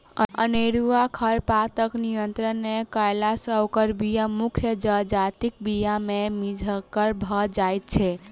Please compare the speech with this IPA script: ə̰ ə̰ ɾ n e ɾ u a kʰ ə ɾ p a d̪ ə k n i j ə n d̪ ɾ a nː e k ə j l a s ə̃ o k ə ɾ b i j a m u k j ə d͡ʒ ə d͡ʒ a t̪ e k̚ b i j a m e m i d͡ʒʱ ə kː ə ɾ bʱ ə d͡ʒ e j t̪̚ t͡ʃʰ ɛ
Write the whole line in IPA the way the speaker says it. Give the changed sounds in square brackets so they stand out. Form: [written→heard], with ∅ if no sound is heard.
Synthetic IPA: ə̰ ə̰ [ɾ→∅] n e ɾ u a kʰ ə ɾ p a [d̪→t̪] ə k n i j ə n [d̪→t̪] ɾ [a→ə] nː e k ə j l a s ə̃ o k ə ɾ b i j a m u [k→kʰ] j ə d͡ʒ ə d͡ʒ a t̪ [e→i] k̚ b i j a m e m i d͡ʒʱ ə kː ə ɾ bʱ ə d͡ʒ [e→a] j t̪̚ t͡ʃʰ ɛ